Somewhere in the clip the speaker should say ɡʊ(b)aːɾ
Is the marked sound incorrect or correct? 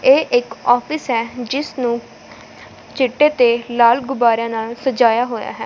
correct